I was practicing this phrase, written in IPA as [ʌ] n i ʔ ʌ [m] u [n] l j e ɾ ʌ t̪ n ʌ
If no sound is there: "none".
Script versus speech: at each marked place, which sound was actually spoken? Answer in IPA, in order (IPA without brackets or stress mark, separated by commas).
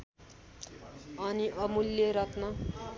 ʌ, m, none